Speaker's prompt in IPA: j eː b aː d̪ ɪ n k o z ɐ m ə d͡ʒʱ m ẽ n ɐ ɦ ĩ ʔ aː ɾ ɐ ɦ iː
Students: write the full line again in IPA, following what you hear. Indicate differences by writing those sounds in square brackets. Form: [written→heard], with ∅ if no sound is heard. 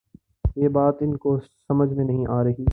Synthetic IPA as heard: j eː b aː [d̪→t̪] ɪ n k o [z→s] ɐ m ə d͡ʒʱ m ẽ n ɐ ɦ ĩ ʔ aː ɾ ɐ ɦ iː